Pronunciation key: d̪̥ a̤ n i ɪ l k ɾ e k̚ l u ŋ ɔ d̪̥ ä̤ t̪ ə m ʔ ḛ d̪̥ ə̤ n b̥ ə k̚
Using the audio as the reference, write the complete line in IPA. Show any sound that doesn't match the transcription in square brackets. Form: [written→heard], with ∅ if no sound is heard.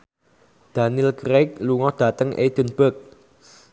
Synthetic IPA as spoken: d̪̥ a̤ n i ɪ l k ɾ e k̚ l u ŋ ɔ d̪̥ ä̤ t̪ ə [m→ŋ] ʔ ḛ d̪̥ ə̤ n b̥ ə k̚